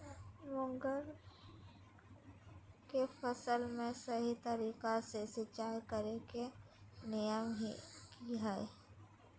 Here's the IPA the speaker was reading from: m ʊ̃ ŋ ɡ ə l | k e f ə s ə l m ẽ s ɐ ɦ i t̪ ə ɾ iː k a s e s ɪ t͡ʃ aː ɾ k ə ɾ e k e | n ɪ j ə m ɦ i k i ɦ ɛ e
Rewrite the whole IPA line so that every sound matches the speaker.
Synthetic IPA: m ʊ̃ ŋ ɡ ə ɾ | k e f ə s ə l m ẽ s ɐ ɦ i t̪ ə ɾ iː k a s e s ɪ t͡ʃ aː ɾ k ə ɾ e k e | n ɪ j ə m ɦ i k i ɦ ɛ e